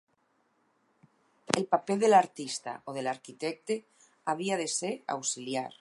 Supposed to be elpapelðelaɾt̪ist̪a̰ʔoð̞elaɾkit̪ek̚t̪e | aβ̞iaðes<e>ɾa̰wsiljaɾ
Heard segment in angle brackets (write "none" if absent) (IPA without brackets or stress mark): e